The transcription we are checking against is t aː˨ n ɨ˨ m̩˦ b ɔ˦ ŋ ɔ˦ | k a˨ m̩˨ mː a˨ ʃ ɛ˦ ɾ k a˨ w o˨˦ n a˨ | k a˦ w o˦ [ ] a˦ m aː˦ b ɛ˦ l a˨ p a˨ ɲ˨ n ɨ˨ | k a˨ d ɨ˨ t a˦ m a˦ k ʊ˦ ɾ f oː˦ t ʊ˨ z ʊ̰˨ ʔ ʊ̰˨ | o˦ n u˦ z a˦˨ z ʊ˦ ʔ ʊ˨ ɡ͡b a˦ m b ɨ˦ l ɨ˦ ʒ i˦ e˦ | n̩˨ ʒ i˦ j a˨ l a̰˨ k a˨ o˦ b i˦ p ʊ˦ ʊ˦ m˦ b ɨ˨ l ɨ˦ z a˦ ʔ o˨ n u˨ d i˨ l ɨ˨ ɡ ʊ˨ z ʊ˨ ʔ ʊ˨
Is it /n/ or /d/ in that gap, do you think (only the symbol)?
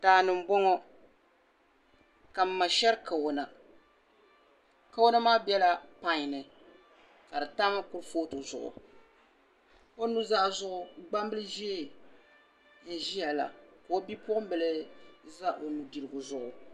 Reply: n